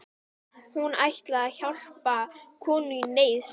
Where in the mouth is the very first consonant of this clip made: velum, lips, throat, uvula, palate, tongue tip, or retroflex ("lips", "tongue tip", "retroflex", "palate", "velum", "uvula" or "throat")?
throat